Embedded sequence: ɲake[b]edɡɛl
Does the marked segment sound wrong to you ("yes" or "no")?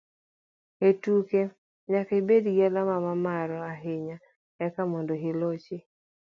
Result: no